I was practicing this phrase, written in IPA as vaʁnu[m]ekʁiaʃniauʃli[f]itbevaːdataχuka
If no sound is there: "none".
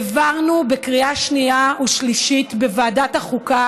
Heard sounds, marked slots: b, ʃ

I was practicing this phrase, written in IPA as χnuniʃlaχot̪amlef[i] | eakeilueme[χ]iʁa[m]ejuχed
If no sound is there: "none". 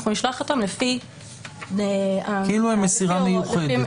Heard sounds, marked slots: i, s, m

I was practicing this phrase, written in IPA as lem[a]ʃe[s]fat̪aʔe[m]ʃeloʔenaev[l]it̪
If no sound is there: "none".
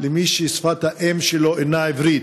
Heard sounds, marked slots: i, s, m, ɾ

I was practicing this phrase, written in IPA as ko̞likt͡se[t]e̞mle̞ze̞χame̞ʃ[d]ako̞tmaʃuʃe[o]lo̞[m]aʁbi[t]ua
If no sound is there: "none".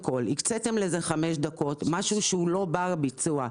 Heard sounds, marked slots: t, d, u, b, t͡s

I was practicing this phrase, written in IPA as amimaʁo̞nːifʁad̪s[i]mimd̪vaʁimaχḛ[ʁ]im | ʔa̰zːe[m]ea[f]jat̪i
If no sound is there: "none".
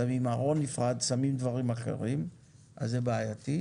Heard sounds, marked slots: a, ʁ, b, none

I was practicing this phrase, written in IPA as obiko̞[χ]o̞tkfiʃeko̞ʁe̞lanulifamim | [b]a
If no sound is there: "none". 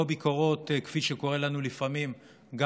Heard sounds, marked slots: ʁ, ɡ

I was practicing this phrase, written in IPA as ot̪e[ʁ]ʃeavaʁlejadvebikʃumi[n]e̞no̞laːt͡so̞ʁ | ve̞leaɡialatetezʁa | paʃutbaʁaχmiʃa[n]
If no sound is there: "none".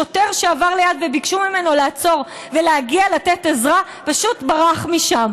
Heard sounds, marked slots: ʁ, m, m

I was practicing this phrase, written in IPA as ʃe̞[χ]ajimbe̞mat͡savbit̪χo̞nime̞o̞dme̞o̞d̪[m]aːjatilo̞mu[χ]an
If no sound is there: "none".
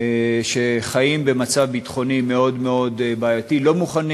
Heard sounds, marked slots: χ, b, χ

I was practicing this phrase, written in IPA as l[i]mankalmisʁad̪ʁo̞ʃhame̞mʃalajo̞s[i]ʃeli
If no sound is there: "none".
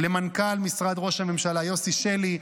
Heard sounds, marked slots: e, i

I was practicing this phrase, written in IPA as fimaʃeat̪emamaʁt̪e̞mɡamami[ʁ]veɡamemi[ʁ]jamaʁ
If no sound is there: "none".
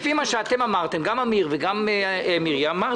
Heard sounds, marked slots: ʁ, ʁ

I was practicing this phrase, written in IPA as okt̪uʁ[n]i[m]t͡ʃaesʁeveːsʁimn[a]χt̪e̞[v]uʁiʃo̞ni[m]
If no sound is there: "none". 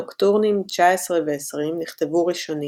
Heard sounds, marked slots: n, m, i, v, none

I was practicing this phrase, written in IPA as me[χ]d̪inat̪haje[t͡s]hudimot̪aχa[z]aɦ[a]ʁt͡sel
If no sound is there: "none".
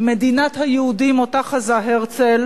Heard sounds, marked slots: none, none, z, e

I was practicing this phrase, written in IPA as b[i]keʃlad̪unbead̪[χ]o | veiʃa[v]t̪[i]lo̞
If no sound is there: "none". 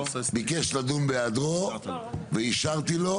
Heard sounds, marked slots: i, ʁ, ʁ, i

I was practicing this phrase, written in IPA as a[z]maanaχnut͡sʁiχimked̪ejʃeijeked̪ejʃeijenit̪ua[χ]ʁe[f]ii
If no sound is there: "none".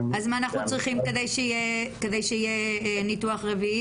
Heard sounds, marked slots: z, χ, v

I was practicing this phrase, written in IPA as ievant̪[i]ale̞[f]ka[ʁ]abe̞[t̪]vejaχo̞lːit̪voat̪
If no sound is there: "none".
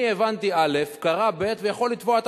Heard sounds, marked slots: i, f, ʁ, t̪

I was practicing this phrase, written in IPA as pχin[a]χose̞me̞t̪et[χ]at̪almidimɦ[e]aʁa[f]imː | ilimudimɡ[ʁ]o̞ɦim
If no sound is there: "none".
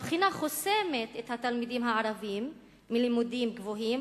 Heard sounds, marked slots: a, h, a, v, v

